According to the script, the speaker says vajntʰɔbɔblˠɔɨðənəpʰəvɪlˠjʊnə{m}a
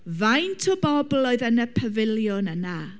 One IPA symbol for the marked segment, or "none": n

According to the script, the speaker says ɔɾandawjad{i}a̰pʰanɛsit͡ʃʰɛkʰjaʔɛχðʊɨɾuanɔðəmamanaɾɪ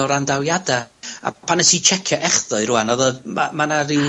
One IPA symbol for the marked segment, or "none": a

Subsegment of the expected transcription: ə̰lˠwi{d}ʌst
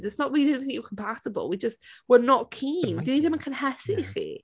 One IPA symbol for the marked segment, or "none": d͡ʒ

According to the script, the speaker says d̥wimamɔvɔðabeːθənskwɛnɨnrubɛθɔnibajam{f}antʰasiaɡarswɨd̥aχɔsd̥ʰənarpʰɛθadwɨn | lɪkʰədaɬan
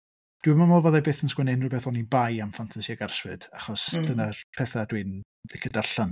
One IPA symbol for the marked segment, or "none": f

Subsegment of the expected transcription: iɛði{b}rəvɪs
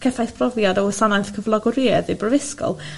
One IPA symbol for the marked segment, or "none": b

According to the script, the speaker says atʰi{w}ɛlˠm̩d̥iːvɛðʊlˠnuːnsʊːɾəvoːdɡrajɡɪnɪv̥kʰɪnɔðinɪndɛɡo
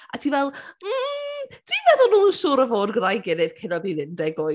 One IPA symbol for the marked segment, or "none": v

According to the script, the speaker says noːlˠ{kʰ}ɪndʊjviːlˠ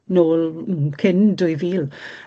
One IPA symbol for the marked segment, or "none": kʰ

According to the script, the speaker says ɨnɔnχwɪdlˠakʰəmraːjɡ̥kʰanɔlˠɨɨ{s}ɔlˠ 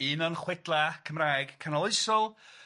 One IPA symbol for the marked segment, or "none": s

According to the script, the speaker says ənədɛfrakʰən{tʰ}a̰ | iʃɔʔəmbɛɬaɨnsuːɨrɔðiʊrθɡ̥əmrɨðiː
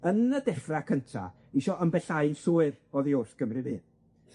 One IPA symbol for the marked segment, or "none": tʰ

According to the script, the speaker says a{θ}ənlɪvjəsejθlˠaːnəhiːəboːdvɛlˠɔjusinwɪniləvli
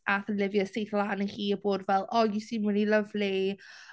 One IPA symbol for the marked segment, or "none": θ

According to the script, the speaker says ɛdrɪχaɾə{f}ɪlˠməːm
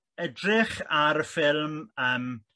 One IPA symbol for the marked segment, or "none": f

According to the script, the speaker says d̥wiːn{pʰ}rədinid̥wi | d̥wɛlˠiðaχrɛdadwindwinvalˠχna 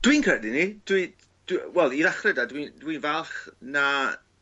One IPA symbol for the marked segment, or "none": kʰ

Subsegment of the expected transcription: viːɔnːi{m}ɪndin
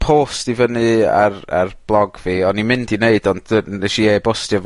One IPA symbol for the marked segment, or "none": m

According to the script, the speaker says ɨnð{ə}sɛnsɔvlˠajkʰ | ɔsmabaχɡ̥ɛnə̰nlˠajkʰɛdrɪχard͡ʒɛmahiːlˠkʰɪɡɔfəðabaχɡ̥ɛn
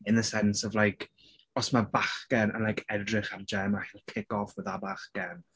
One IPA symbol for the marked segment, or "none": ə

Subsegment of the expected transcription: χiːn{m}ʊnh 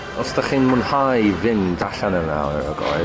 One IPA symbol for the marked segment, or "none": m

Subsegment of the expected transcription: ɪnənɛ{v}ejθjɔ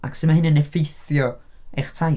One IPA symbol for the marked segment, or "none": f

